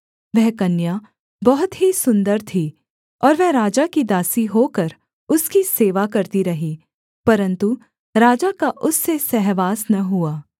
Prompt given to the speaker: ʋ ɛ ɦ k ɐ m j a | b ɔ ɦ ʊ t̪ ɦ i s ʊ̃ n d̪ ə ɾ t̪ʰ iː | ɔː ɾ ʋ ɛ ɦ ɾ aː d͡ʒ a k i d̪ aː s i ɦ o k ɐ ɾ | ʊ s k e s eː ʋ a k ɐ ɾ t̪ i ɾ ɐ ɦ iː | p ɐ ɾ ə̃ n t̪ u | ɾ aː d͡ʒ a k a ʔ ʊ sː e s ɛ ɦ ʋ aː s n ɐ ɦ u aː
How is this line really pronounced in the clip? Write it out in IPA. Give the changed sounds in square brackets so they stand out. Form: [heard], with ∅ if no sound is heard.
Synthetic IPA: ʋ ɛ ɦ k ɐ [n] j a | b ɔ ɦ ʊ t̪ ɦ i s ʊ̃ n d̪ ə ɾ t̪ʰ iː | ɔː ɾ ʋ ɛ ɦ ɾ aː d͡ʒ a k i d̪ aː s i ɦ o k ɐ ɾ | ʊ s k [i] s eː ʋ a k ɐ ɾ t̪ i ɾ ɐ ɦ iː | p ɐ ɾ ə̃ n t̪ u | ɾ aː d͡ʒ a k a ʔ ʊ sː e s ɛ ɦ ʋ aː s n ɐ ɦ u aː